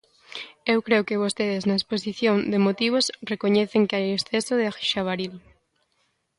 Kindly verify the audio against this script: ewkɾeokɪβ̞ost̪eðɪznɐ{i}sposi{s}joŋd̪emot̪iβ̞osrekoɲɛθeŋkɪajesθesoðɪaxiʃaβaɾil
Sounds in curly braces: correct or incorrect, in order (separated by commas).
incorrect, incorrect